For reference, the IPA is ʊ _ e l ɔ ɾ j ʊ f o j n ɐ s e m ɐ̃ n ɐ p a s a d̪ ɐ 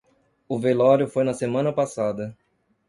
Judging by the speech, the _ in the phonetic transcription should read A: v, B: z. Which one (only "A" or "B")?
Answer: A